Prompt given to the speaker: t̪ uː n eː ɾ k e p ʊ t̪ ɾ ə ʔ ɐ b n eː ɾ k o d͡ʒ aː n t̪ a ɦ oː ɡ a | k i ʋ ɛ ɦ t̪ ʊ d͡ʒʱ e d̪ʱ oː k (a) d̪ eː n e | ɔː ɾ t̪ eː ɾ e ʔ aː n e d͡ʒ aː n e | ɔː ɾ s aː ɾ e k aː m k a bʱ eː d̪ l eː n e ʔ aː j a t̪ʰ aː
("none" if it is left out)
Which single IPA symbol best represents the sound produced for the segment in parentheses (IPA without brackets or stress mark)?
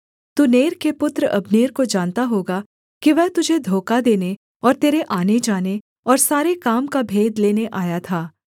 a